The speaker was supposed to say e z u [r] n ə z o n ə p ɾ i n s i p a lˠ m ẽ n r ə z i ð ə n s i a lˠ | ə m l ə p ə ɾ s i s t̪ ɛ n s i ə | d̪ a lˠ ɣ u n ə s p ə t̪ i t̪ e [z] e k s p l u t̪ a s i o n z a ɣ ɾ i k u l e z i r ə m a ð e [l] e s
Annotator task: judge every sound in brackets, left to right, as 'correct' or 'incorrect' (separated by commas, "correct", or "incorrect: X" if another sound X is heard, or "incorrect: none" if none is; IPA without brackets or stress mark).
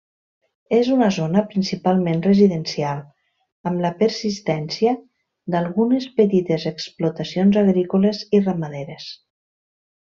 incorrect: none, correct, incorrect: ɾ